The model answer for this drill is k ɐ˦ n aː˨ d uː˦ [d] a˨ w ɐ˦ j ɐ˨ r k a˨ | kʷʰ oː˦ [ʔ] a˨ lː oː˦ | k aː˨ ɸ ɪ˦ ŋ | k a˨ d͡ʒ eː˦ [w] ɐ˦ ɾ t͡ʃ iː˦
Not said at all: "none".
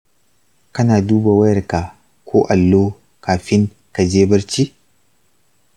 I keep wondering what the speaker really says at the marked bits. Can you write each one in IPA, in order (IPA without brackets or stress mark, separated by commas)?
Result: b, ʔ, b